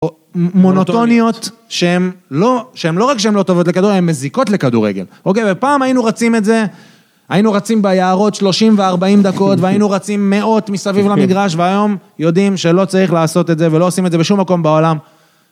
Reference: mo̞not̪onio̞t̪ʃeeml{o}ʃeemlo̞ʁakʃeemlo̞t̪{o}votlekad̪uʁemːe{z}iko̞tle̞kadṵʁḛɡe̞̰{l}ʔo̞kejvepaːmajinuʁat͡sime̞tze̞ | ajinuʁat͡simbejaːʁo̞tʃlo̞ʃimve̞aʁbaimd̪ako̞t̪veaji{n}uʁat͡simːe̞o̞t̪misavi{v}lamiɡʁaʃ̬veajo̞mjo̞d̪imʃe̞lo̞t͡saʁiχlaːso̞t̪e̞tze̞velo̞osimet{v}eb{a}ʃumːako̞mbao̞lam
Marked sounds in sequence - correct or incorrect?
correct, correct, correct, correct, correct, correct, incorrect: z, incorrect: e

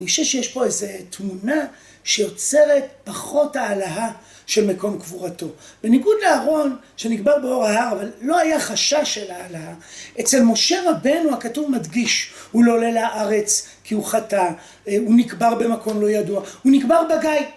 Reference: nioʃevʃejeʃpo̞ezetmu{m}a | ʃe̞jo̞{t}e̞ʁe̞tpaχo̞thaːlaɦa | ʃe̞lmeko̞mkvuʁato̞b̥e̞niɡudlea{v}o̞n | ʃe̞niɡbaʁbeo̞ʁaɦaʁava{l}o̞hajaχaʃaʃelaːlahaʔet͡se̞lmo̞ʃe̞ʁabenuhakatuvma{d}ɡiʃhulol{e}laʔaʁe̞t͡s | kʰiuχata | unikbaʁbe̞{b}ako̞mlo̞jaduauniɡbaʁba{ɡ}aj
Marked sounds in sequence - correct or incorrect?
incorrect: n, incorrect: t͡s, incorrect: ʁ, incorrect: lː, correct, correct, incorrect: m, correct

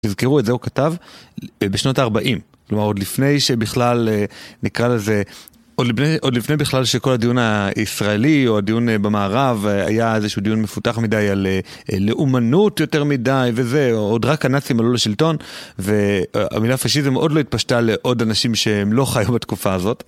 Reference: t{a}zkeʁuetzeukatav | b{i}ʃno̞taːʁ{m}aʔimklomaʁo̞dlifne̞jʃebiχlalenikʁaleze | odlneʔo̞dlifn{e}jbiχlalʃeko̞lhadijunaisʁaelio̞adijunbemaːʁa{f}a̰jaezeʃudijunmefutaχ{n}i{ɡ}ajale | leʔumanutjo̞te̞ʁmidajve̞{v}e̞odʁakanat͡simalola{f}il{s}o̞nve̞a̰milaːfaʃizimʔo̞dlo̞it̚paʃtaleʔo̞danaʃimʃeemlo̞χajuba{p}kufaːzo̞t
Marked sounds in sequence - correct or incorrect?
incorrect: i, incorrect: e, incorrect: b, correct, incorrect: v, incorrect: m, incorrect: d, incorrect: z, incorrect: ʃ, incorrect: t, incorrect: t

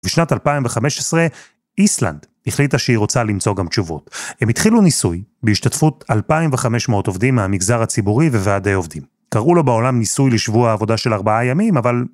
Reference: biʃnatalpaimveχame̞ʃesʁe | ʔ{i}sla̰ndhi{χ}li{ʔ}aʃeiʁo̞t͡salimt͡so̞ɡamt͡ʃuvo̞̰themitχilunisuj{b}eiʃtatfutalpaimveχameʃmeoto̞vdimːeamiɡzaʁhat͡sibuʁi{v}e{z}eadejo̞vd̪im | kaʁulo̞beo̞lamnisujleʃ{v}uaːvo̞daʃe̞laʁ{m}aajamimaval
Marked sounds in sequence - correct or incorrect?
correct, correct, incorrect: t, correct, correct, incorrect: v, correct, incorrect: b

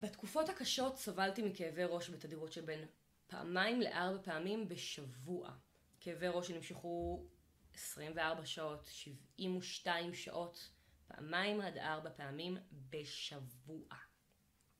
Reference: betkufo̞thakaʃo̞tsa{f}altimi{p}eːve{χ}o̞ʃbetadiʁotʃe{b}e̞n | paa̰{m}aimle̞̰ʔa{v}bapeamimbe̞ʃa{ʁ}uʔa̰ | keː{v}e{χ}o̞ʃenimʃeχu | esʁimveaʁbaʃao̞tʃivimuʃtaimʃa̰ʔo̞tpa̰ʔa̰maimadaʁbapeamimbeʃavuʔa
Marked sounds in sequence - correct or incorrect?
incorrect: v, incorrect: k, incorrect: ʁ, correct, correct, incorrect: ʁ, incorrect: v, correct, incorrect: ʁ

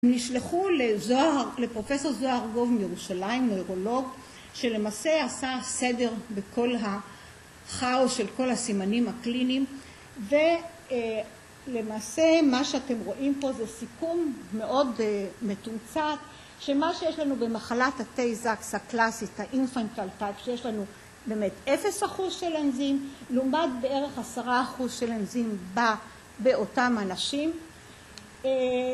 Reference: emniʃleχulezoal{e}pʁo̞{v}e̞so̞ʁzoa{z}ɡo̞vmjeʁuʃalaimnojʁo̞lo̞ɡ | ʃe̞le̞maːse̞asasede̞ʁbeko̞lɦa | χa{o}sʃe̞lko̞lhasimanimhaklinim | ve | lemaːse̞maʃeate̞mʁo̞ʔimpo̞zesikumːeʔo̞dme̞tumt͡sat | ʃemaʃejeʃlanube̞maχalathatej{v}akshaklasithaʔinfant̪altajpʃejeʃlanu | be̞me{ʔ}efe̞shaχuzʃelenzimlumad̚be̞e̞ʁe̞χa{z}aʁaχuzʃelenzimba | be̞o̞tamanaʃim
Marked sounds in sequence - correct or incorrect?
correct, incorrect: f, incorrect: ʁ, correct, incorrect: z, incorrect: t, incorrect: s

